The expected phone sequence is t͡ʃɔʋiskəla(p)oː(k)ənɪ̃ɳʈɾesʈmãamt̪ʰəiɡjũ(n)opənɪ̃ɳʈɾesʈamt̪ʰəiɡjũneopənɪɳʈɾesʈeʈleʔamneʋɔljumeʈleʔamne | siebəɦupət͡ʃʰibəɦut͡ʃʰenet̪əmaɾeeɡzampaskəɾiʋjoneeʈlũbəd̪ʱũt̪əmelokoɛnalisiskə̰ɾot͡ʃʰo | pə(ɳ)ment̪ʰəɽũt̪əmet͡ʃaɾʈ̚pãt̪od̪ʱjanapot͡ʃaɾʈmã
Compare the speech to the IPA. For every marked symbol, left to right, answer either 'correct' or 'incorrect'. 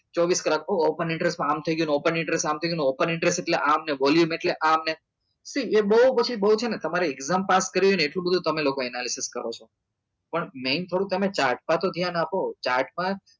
incorrect: k, incorrect: p, correct, correct

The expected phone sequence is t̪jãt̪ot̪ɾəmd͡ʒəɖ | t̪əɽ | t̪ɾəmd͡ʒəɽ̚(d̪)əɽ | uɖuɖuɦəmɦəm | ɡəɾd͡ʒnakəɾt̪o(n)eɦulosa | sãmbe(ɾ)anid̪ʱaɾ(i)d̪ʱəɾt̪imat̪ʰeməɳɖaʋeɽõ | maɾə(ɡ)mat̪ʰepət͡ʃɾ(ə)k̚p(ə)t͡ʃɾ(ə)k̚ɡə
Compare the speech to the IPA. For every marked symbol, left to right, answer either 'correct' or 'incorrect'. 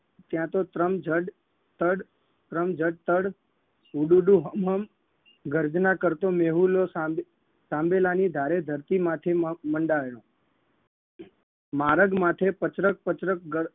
incorrect: t̪, incorrect: m, incorrect: l, incorrect: e, correct, correct, correct, correct

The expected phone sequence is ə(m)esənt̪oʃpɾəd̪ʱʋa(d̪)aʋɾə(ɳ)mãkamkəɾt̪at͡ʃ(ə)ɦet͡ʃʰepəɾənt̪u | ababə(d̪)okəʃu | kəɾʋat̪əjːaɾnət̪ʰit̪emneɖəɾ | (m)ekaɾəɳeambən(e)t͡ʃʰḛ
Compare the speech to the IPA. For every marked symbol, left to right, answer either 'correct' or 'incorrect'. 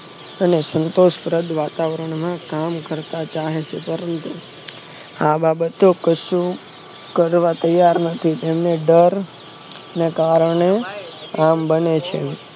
incorrect: n, incorrect: t̪, correct, incorrect: a, incorrect: t̪, incorrect: n, correct

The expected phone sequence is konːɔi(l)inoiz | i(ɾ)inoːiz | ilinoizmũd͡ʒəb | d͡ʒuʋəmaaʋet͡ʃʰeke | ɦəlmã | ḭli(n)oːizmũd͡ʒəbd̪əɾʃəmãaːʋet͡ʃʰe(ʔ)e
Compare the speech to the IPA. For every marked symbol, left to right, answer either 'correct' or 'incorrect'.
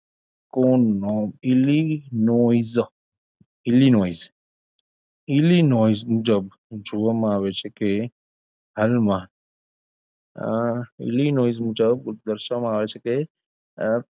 correct, incorrect: l, correct, incorrect: k

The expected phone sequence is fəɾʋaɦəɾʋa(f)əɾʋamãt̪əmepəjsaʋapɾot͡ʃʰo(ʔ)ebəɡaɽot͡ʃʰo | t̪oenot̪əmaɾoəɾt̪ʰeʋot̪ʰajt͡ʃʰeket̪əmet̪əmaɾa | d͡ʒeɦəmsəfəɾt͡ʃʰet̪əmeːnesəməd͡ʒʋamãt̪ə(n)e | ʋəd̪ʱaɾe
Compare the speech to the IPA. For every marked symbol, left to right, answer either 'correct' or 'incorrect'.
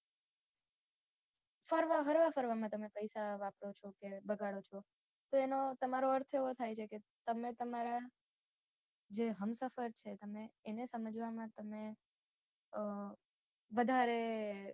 correct, incorrect: k, incorrect: m

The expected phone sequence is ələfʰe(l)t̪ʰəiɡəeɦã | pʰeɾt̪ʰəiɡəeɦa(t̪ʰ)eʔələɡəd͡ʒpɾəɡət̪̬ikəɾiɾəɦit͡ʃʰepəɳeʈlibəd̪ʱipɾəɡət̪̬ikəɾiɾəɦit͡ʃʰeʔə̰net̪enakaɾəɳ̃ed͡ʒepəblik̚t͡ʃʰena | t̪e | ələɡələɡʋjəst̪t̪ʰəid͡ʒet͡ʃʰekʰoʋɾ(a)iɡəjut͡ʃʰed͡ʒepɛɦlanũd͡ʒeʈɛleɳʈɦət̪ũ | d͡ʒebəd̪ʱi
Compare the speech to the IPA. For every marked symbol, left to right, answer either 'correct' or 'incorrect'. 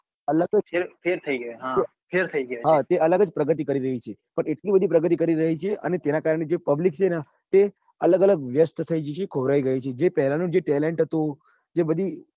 incorrect: ɾ, incorrect: t̪, correct

